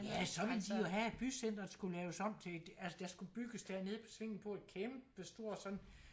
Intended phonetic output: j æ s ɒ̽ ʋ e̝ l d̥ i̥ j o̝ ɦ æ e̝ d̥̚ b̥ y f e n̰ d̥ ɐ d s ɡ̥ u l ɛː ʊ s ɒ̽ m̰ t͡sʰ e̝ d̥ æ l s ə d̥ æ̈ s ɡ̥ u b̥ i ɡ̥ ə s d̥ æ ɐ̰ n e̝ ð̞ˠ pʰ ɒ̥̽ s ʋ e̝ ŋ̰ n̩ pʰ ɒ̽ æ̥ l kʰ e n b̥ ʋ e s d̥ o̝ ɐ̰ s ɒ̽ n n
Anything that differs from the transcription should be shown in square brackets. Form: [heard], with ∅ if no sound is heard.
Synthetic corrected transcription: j æ s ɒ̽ ʋ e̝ l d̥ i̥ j o̝ ɦ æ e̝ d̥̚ b̥ y [s] e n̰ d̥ ɐ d s ɡ̥ u l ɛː ʊ s ɒ̽ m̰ t͡sʰ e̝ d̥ æ l s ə d̥ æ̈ s ɡ̥ u b̥ [y] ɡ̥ ə s d̥ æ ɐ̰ n e̝ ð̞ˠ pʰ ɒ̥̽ s ʋ e̝ ŋ̰ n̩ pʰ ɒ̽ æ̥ [∅] kʰ e [m] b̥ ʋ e s d̥ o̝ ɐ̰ s ɒ̽ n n